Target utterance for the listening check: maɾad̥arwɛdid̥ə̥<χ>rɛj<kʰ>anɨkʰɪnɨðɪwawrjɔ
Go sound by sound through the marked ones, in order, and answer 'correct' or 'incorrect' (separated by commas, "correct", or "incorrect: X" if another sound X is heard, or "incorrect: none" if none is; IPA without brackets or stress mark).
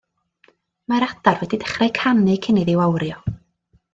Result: correct, correct